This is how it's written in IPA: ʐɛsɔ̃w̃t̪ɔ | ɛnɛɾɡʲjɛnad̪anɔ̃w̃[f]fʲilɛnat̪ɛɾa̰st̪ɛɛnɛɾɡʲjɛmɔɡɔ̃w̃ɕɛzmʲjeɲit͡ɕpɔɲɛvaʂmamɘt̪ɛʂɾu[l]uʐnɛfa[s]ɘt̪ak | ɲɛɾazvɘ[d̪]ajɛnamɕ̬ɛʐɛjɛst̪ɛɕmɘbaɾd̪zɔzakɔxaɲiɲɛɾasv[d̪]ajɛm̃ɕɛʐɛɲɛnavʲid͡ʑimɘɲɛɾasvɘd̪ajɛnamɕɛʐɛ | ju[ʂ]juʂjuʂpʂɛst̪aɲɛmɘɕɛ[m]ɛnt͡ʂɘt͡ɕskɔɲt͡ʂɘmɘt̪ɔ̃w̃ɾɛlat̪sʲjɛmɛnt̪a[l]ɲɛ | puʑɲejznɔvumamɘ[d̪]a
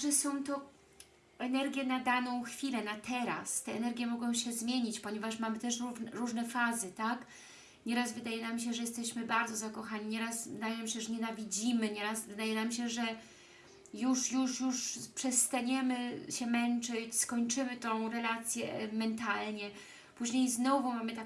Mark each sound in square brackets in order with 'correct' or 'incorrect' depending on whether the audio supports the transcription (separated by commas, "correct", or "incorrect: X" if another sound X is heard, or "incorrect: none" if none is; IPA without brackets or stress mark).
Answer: incorrect: x, incorrect: ɾ, incorrect: z, correct, correct, correct, correct, correct, incorrect: t̪